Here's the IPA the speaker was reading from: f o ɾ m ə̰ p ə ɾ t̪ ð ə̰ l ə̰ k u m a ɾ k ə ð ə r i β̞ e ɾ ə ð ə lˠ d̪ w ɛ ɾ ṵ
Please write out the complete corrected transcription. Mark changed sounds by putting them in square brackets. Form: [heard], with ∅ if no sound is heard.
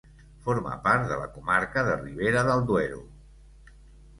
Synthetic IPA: f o ɾ m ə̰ p [a] ɾ t̪ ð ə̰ l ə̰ k u m a ɾ k ə ð ə r i β̞ e ɾ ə ð ə lˠ d̪ w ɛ ɾ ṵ